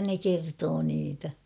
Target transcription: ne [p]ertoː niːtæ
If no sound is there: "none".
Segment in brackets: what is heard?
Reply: k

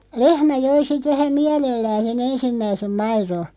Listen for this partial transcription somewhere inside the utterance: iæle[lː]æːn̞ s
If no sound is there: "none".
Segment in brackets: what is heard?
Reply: lː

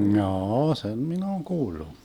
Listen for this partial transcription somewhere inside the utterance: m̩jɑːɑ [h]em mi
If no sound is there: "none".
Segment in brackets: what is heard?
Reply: s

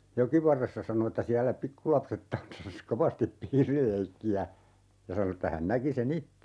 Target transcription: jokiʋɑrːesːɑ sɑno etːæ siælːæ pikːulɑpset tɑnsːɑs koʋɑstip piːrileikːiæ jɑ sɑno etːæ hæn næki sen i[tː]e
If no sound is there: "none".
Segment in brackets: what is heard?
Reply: tː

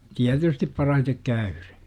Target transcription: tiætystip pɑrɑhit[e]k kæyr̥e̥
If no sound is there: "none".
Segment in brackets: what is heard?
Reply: e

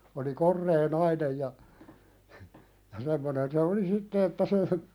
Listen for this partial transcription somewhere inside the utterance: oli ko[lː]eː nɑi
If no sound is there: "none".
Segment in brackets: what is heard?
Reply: rː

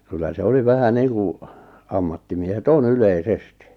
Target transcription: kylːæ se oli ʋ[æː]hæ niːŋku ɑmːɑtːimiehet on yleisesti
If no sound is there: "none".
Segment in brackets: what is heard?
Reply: æ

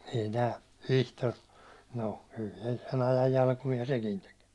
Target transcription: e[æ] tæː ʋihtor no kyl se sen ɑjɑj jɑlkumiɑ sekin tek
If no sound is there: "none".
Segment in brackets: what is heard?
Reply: i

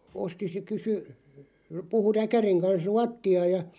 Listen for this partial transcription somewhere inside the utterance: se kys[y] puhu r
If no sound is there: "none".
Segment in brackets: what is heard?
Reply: y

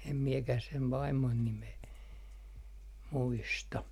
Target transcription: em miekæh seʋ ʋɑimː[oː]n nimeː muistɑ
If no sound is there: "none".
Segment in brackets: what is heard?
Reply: o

